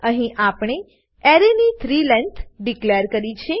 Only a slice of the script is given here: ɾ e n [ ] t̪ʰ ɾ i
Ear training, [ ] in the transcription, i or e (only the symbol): i